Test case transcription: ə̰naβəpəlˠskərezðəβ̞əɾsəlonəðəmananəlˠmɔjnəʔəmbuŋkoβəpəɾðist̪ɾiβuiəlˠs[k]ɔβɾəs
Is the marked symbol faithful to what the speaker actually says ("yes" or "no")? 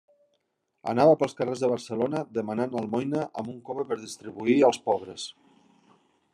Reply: no